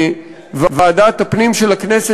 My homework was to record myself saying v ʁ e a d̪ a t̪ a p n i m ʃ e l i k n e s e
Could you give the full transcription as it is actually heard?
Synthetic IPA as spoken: v v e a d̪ a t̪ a p n i m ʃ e l a k n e s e